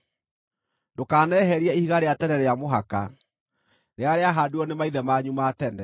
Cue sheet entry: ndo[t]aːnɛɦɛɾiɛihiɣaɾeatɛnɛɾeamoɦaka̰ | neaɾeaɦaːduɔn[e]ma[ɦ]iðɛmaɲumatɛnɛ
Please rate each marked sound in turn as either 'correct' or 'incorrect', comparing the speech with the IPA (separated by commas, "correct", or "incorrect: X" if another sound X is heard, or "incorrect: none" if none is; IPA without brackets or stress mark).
incorrect: k, correct, incorrect: none